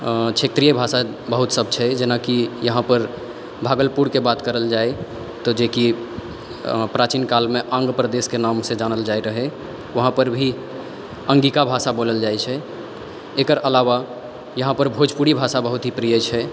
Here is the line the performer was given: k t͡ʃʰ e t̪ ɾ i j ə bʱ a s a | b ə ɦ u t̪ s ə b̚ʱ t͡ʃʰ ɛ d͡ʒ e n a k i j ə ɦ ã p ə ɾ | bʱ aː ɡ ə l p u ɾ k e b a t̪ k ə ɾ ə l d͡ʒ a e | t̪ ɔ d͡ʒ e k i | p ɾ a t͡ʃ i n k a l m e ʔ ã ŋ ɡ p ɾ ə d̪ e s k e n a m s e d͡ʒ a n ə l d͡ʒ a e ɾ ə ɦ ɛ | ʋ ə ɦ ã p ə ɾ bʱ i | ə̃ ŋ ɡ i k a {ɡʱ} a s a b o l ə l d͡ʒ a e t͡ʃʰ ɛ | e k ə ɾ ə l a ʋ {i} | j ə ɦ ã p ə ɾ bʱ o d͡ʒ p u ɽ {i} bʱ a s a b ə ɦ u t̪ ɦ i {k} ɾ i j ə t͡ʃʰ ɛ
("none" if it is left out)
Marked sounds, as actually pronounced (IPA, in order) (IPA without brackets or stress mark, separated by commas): bʱ, a, i, p